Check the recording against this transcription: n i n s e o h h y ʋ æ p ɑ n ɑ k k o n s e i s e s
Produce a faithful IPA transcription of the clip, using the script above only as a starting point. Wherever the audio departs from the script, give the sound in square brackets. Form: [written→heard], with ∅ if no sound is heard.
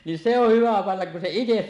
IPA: n i n s e o h h y ʋ æ p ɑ [n→nː] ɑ k k [o→u] n s e i [s→t] e s